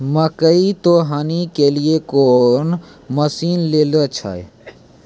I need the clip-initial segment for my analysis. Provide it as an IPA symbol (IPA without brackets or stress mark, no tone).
m